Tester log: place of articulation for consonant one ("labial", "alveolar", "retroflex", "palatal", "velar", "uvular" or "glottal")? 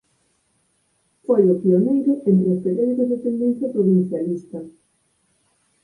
labial